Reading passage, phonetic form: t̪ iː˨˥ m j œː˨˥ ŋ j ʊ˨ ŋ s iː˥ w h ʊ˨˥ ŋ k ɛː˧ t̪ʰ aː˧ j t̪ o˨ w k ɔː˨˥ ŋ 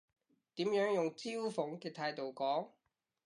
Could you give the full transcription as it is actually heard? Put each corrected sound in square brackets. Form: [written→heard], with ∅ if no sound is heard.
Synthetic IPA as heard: t̪ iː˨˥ m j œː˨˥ ŋ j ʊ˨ ŋ [s→t͡s] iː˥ w [h→f] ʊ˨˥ ŋ k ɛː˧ t̪ʰ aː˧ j t̪ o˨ w k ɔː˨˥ ŋ